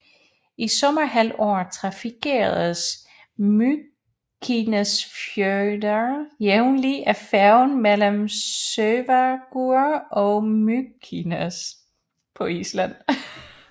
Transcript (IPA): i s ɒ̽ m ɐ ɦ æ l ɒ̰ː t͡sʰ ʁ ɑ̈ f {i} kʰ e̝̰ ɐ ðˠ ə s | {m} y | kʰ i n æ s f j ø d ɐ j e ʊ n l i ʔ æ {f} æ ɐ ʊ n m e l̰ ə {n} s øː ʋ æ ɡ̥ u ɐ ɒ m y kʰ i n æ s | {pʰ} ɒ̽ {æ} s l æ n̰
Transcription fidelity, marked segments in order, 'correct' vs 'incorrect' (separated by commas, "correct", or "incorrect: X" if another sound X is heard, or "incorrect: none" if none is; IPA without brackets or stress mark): correct, correct, correct, incorrect: m, correct, incorrect: i